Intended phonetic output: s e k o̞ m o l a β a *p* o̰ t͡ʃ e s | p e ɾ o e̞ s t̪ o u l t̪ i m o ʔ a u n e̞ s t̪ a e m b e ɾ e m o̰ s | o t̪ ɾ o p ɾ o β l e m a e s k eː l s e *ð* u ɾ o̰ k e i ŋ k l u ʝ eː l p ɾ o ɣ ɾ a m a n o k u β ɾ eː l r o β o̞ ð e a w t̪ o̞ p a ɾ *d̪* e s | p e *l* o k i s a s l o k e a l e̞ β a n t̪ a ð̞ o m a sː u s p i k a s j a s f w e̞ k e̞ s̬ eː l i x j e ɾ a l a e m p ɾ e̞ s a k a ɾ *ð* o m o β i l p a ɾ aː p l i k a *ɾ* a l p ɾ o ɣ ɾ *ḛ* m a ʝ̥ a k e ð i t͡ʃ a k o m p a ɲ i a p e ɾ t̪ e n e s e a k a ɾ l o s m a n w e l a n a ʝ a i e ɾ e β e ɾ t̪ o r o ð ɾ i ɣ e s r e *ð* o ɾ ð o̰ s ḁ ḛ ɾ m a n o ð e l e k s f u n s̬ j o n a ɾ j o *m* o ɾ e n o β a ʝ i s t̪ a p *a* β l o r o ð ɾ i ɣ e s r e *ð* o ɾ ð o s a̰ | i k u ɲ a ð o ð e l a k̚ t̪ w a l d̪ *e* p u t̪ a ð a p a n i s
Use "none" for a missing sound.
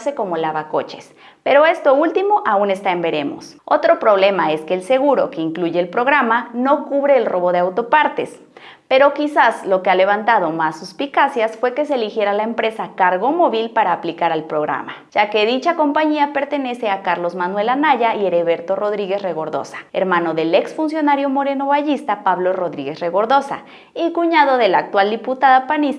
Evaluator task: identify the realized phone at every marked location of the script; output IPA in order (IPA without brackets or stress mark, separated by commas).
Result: k, ɣ, t̪, ɾ, ɣ, ɾ, a̰, ɣ, m, a, ɣ, i